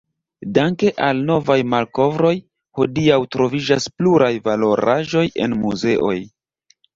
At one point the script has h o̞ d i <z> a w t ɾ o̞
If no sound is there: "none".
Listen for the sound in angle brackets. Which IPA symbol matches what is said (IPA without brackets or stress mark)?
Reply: none